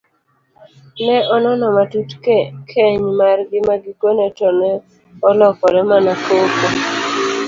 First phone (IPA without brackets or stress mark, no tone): n